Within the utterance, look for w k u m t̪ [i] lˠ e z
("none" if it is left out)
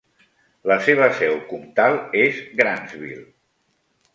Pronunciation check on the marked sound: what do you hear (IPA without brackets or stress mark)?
a